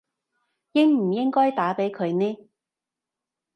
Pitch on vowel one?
high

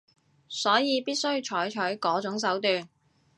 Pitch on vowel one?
rising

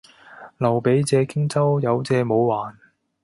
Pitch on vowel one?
low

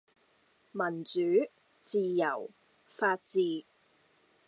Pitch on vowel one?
low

